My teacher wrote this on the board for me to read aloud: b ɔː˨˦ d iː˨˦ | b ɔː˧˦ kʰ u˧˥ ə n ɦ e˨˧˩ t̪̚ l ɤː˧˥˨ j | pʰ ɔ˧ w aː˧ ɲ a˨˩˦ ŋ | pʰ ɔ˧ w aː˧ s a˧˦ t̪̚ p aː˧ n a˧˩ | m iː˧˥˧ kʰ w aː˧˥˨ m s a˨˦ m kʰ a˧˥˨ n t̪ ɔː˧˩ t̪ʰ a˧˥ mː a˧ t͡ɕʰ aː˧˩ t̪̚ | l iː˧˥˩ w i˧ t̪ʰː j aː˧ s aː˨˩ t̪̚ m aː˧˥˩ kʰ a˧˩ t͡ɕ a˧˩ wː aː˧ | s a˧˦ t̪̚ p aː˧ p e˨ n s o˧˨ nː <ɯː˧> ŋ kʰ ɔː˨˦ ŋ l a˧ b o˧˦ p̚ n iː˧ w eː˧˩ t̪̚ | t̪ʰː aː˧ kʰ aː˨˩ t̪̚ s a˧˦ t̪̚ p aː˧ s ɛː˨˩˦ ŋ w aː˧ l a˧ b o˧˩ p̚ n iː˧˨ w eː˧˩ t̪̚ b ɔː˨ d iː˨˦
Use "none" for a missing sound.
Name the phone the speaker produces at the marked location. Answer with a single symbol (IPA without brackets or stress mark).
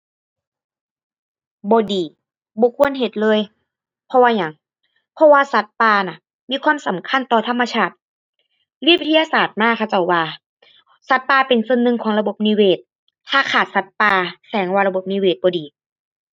ɯ˧